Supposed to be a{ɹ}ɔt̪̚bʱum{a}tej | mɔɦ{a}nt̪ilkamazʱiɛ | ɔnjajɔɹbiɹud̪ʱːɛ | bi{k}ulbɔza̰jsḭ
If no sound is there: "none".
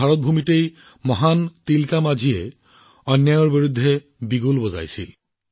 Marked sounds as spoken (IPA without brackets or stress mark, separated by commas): ɹ, i, a, ɡ